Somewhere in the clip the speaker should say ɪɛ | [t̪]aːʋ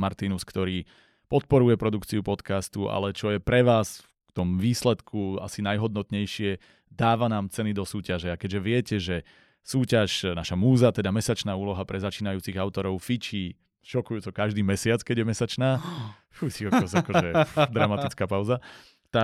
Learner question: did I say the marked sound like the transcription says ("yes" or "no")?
no